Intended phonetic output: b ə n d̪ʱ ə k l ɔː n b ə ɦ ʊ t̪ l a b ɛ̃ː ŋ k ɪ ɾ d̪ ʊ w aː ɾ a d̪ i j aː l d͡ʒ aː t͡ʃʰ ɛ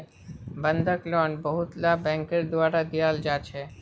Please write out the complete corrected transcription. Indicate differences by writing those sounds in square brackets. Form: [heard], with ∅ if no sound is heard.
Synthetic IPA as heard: b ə n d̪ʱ ə k l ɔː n b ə ɦ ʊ t̪ l a b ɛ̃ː ŋ k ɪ ɾ d̪ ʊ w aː ɾ a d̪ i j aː l d͡ʒ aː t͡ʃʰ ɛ

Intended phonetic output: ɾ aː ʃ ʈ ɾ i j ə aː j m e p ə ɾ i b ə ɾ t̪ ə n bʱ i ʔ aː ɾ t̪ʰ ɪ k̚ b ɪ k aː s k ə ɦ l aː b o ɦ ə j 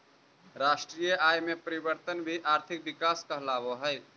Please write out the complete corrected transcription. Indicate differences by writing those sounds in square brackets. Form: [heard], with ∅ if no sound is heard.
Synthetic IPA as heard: ɾ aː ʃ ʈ ɾ i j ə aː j m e p ə ɾ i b ə ɾ t̪ ə n bʱ i ʔ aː ɾ t̪ʰ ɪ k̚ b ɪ k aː s k ə ɦ l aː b o ɦ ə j

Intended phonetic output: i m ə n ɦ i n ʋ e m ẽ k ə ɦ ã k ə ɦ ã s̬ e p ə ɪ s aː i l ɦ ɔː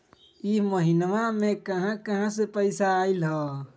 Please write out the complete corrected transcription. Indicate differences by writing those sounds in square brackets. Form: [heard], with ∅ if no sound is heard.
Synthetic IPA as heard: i m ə [∅] ɦ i n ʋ [a] m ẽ k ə ɦ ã k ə ɦ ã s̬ e p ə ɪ s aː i l ɦ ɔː

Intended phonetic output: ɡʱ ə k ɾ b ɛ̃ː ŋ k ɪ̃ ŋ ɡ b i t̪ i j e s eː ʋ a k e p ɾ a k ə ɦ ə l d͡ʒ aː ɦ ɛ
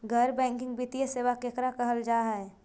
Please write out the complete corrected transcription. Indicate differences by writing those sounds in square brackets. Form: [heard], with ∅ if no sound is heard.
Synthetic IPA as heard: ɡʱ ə [∅] ɾ b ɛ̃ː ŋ k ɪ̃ ŋ ɡ b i t̪ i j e s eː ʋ a k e [k] ɾ a k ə ɦ ə l d͡ʒ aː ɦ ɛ

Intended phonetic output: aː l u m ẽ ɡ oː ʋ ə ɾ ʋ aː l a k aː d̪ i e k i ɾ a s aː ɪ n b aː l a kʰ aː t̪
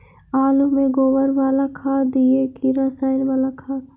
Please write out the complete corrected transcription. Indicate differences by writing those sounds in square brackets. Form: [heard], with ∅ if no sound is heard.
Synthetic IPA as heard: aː l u m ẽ ɡ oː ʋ ə ɾ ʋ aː l a [kʰ] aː d̪ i e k i ɾ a s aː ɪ n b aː l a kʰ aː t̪

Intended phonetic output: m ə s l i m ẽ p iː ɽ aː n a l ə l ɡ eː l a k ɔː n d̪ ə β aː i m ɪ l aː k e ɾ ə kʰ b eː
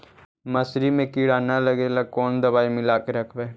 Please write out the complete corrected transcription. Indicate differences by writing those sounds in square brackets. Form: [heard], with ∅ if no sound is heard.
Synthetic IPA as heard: m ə s [ɾ] i m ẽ [k] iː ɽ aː n a l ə [∅] ɡ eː l a k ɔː n d̪ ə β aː i m ɪ l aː k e ɾ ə kʰ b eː

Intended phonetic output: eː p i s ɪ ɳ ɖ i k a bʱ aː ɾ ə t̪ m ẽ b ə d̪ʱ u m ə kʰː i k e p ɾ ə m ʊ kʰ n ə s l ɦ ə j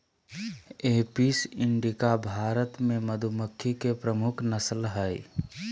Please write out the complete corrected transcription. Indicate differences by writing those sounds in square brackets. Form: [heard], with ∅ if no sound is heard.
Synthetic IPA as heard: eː p i s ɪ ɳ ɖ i k a bʱ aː ɾ ə t̪ m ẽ [m] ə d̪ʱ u m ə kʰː i k e p ɾ ə m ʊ kʰ n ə s l ɦ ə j

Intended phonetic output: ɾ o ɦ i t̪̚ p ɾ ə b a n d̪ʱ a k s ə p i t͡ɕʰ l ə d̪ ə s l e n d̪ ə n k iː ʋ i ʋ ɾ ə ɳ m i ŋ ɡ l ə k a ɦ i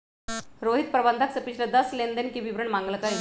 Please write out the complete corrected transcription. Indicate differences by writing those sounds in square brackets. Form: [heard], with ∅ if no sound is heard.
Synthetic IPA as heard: ɾ o ɦ i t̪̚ p ɾ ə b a n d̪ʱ a k s ə p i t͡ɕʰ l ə d̪ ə s l e n d̪ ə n k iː ʋ i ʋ ɾ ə ɳ m [a] ŋ ɡ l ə k a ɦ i

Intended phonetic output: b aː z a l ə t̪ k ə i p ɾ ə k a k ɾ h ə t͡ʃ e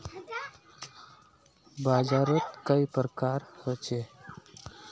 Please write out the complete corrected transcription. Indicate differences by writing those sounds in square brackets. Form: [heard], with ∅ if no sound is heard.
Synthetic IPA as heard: b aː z a [ɾ] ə t̪ k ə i p ɾ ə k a [∅] ɾ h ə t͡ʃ e

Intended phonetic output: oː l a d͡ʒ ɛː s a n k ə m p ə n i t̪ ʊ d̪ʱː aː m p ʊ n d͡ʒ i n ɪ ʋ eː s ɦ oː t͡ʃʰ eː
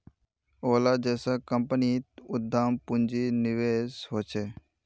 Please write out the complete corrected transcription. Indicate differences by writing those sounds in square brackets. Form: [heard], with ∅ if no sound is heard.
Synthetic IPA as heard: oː l a d͡ʒ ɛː s a [∅] k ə m p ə n i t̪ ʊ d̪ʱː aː m p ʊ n d͡ʒ i n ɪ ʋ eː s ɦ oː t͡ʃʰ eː

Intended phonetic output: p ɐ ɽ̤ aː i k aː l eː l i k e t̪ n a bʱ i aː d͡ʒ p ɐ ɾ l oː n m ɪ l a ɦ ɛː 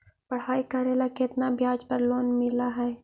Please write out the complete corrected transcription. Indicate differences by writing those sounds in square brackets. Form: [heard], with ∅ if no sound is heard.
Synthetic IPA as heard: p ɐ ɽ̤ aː i k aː [ɾ] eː l [a] k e t̪ n a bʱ [j] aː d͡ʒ p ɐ ɾ l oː n m ɪ l a ɦ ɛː

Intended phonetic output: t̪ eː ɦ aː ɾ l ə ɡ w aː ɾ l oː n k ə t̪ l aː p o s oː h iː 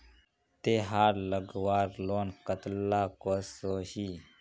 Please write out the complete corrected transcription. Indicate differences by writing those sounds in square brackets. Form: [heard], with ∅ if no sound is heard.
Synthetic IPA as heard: t̪ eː ɦ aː ɾ l ə ɡ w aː ɾ l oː n k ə t̪ l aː [k] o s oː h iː

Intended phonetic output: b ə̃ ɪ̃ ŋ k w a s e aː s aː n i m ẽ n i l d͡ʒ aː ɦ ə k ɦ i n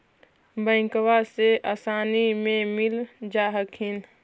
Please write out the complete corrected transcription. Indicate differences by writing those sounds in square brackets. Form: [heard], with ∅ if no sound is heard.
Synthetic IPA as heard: b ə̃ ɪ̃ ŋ k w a s e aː s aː n i m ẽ [m] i l d͡ʒ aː ɦ ə k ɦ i n

